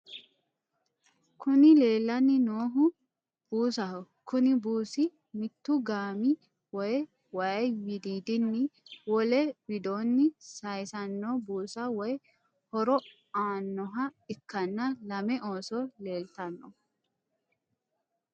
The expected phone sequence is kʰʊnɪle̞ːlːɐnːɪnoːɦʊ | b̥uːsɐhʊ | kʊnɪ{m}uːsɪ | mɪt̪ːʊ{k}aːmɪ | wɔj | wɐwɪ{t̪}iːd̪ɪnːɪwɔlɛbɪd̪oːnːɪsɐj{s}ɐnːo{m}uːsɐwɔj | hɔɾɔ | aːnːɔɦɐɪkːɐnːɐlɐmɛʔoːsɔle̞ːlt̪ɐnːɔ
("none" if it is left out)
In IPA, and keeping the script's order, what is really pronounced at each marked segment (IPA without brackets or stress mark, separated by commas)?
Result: b, ɡ, d̪, s, b